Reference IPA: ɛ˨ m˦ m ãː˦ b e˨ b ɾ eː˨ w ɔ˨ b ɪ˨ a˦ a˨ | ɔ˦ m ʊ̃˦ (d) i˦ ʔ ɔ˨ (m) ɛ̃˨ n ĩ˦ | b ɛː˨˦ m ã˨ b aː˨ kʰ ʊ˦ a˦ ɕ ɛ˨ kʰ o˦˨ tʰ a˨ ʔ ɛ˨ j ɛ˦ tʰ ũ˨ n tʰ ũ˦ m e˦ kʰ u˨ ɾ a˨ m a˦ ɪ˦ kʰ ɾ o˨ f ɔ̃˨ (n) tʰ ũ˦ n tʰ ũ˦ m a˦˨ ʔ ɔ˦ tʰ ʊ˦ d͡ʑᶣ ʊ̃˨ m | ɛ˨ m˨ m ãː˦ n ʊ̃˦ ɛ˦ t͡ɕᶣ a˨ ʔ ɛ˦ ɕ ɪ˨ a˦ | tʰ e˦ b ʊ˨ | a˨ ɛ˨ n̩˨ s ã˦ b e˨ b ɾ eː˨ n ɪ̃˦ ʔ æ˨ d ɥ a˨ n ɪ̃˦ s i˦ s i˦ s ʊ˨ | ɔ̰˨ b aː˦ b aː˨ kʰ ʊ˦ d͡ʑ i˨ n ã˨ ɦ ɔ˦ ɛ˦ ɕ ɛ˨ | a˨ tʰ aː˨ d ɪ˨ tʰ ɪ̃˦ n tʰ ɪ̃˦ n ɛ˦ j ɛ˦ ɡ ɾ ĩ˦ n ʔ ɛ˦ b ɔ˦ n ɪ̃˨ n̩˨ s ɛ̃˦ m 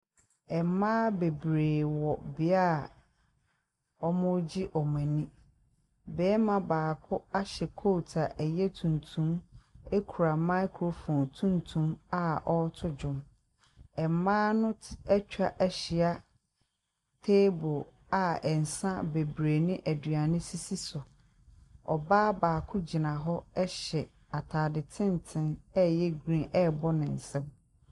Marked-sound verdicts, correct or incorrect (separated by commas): incorrect, correct, correct